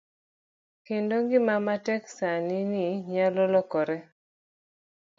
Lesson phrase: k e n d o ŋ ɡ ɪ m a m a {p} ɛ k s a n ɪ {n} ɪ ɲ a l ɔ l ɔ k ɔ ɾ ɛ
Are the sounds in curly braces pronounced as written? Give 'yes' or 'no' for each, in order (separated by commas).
no, yes